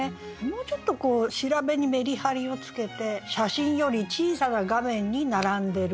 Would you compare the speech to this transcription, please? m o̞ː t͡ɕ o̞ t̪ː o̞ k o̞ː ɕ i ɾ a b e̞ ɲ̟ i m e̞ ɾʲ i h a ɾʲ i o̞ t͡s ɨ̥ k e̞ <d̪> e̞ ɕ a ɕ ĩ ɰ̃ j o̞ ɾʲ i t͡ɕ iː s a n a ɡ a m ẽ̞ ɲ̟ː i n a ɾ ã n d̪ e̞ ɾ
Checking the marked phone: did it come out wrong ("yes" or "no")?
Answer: yes